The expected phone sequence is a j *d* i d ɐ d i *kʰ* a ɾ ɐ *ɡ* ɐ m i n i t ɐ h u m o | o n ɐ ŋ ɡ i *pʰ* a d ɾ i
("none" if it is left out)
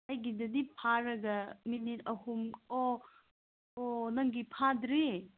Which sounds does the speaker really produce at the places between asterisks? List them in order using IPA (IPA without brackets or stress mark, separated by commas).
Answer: ɡ, pʰ, ɡ, pʰ